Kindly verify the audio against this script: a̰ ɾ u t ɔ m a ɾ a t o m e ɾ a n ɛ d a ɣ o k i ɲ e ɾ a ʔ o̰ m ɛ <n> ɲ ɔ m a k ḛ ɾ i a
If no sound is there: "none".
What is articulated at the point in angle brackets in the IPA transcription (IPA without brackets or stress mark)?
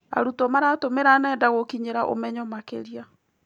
none